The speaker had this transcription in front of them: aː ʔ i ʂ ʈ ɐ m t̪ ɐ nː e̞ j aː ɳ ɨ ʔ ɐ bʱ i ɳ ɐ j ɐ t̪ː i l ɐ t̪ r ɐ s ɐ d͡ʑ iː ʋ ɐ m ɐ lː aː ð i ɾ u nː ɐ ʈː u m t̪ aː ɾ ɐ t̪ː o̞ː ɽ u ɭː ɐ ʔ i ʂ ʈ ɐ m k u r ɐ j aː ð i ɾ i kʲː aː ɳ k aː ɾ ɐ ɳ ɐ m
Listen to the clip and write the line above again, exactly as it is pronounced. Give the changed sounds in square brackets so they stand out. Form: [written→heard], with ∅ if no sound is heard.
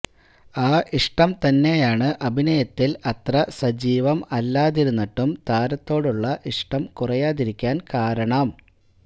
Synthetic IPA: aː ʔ i ʂ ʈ ɐ m t̪ ɐ nː e̞ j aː ɳ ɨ ʔ ɐ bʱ i [ɳ→n] ɐ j ɐ t̪ː i l ɐ t̪ r ɐ s ɐ d͡ʑ iː ʋ ɐ m ɐ lː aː ð i ɾ u nː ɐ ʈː u m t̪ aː ɾ ɐ t̪ː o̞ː ɽ u ɭː ɐ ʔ i ʂ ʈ ɐ m k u r ɐ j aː ð i ɾ i kʲː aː [ɳ→n] k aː ɾ ɐ ɳ ɐ m